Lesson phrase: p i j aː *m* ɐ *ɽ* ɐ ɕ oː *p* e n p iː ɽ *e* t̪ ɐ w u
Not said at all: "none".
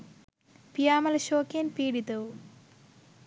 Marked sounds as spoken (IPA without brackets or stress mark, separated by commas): m, l, k, i